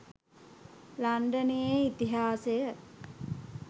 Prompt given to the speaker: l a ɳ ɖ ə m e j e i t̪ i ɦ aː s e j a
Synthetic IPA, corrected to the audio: l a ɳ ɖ ə n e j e i t̪ i ɦ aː s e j ə